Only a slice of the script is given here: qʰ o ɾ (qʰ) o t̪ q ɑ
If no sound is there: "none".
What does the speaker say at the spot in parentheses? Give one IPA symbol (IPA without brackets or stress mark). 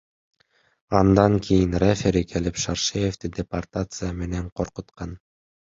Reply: q